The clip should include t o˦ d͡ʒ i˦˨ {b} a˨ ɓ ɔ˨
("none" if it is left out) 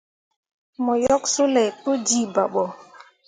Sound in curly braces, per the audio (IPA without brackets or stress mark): b